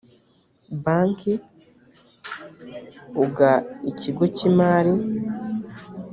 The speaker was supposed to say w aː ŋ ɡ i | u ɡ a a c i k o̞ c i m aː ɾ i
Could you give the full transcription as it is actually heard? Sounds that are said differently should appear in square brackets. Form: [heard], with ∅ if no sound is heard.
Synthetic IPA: [b] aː ŋ [k] i | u ɡ a [i] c i [ɡ] o̞ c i m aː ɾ i

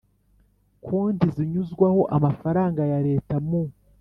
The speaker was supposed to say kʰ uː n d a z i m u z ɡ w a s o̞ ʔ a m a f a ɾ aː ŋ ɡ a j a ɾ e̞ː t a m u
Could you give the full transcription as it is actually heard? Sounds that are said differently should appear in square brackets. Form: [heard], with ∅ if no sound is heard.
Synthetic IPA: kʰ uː n d [i] z i [ɲ] u z ɡ w a [h] o̞ ʔ a m a f a ɾ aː ŋ ɡ a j a ɾ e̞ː t a m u

